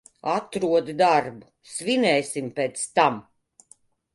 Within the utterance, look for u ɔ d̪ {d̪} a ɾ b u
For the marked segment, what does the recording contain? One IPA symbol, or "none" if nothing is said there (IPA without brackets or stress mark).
d̪